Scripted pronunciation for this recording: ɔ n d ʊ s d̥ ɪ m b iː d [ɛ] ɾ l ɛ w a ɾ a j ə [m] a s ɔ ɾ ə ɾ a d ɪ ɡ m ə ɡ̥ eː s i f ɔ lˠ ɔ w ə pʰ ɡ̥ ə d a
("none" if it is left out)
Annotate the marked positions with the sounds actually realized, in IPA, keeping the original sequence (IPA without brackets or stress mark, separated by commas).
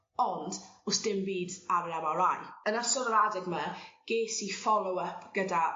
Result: a, n